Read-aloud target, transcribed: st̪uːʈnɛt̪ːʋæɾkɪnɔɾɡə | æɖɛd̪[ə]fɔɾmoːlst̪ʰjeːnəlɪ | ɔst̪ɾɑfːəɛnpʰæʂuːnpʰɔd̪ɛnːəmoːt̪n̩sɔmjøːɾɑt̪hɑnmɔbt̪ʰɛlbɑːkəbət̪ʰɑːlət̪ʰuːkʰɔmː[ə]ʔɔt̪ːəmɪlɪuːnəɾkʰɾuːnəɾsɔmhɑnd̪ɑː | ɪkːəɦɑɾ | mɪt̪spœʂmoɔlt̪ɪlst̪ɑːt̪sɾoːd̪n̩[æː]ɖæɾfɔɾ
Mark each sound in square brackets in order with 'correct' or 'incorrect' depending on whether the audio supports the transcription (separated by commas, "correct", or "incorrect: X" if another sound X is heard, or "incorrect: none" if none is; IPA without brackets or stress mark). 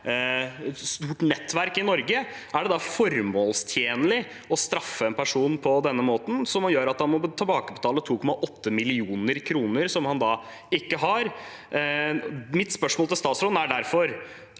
incorrect: ɑ, incorrect: ɑ, incorrect: æ